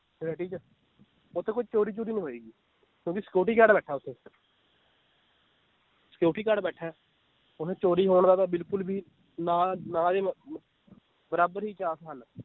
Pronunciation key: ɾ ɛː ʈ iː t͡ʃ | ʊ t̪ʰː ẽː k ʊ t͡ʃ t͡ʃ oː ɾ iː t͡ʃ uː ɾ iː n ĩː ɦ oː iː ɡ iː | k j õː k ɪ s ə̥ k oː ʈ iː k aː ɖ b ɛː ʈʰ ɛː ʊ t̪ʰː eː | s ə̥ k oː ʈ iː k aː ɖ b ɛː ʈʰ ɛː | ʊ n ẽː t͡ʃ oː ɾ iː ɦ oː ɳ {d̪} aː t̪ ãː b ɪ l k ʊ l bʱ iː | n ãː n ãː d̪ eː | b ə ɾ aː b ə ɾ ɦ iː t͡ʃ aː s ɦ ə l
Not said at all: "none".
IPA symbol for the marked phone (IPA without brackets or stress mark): d̪